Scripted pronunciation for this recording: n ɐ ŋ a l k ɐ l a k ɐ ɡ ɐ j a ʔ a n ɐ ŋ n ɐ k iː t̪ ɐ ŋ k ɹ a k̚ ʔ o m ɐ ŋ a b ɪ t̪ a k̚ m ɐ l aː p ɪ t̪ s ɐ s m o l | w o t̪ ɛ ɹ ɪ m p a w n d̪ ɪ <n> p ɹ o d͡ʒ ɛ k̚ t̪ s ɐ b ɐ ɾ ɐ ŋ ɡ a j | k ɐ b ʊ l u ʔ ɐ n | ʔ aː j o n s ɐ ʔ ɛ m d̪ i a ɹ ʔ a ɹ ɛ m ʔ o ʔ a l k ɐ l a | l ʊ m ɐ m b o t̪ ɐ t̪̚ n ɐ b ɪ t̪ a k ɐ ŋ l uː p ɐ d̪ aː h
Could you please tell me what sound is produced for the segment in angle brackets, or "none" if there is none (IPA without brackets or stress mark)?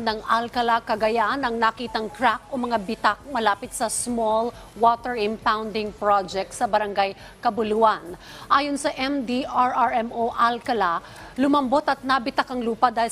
ŋ